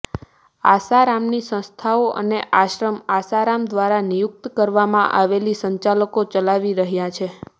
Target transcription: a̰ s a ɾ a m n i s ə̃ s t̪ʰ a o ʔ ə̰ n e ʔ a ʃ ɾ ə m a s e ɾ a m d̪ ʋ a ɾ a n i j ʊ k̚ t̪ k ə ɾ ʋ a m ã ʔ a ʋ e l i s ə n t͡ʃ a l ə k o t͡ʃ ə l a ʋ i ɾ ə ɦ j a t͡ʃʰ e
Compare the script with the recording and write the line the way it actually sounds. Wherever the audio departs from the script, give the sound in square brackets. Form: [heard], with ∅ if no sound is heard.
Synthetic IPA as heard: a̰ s a ɾ a m n i s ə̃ s t̪ʰ a o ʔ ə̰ n e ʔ a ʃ ɾ ə m a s [a] ɾ a m d̪ ʋ a ɾ a n i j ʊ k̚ t̪ k ə ɾ ʋ a m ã ʔ a ʋ e l i s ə [ɲ] t͡ʃ a l ə k o t͡ʃ ə l a ʋ i ɾ ə ɦ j a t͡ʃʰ e